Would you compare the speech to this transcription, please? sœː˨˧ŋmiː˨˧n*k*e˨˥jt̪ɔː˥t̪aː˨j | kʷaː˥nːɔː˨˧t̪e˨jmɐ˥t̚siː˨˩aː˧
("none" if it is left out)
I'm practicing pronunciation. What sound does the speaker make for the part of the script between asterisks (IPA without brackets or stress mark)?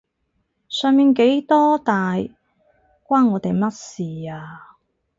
k